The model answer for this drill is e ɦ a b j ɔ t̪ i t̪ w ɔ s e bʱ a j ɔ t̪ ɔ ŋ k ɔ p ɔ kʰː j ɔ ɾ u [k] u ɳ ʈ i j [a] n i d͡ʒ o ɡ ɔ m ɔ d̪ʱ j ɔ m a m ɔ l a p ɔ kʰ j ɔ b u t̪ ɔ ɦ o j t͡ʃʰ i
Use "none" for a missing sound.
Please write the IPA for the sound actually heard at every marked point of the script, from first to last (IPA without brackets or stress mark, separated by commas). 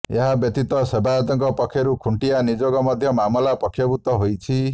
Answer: kʰ, a